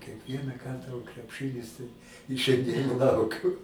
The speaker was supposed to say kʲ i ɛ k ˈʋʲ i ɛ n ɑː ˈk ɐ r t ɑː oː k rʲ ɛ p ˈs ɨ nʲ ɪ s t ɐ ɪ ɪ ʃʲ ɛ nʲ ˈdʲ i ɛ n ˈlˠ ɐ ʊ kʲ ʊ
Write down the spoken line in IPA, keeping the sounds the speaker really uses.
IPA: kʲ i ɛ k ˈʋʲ i ɛ n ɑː ˈk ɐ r t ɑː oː k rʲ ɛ p ˈʃ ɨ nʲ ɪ s t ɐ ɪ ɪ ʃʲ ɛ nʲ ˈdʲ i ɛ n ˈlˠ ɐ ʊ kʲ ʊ